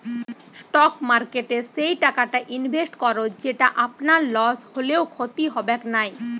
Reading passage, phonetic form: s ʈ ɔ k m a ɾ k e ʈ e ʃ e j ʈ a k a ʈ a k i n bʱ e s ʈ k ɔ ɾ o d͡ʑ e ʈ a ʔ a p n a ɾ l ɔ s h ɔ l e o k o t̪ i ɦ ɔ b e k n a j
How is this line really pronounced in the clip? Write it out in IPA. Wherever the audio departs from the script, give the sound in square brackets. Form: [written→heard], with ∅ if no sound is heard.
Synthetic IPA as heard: s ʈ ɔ k m a ɾ k e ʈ e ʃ e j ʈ a k a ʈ a [k→ʔ] i n bʱ e s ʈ k ɔ ɾ o d͡ʑ e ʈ a ʔ a p n a ɾ l ɔ s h [ɔ→o] l e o [k→kʰ] o t̪ i ɦ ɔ b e k n a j